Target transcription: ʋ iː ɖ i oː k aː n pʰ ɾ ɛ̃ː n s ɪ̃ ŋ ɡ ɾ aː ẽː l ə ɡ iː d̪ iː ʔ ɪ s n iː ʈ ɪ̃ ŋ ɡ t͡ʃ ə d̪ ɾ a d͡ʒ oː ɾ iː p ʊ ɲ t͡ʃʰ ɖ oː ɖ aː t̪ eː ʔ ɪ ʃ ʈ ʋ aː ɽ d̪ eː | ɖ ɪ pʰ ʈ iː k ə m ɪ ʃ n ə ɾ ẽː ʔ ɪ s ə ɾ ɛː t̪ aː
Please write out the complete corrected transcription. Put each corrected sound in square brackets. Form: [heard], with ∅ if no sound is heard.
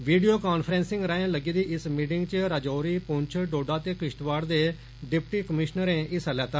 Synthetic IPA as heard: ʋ iː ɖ i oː k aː n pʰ ɾ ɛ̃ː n s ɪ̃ ŋ ɡ ɾ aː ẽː l ə ɡ iː d̪ iː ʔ ɪ s [m] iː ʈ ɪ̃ ŋ ɡ t͡ʃ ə [∅] ɾ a d͡ʒ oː ɾ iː p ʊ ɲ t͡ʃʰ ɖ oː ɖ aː t̪ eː [k] ɪ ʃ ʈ ʋ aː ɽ d̪ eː | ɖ ɪ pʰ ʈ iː k ə m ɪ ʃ n ə ɾ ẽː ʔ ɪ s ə [l] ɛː t̪ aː